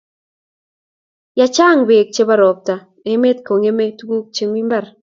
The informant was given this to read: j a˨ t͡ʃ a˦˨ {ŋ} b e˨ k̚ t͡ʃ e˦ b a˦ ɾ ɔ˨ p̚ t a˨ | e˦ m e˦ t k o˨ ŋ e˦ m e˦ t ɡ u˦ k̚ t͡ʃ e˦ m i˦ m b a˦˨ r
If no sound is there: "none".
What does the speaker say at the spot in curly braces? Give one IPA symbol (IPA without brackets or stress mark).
ŋ